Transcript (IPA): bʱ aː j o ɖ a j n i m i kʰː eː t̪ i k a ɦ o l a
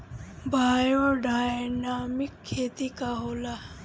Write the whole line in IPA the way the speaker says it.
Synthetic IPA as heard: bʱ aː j o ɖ a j n a m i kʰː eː t̪ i k a ɦ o l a